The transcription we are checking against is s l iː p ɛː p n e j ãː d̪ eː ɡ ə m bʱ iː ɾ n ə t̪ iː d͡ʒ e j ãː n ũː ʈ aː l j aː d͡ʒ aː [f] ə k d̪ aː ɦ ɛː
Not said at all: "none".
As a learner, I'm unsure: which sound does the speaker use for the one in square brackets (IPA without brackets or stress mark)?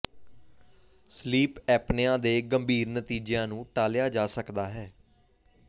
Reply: s